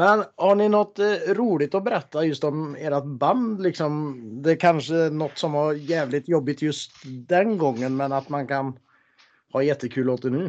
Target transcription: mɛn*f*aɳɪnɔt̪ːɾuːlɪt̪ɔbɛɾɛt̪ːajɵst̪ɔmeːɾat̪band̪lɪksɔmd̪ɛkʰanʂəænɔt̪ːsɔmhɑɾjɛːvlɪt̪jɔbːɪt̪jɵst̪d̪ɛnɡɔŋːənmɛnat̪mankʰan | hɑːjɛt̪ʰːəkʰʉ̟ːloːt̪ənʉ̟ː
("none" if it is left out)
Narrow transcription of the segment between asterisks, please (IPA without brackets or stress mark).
h